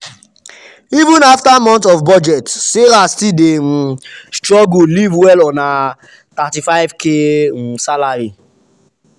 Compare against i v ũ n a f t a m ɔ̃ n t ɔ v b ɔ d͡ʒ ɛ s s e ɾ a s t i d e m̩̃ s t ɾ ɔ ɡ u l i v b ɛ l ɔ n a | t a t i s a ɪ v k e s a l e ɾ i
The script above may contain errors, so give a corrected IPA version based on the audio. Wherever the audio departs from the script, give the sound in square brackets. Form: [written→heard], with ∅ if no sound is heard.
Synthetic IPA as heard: i v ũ n a f t a m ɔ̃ n t ɔ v b ɔ d͡ʒ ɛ [s→t] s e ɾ a s t i d e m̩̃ s t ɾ ɔ ɡ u l i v [b→w] ɛ l ɔ n a | t a t i [s→f] a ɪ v k e s a l [e→a] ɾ i